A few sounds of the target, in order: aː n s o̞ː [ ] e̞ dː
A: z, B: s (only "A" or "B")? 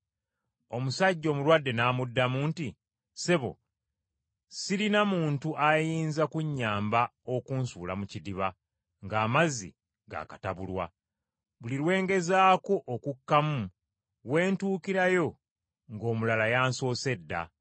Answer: B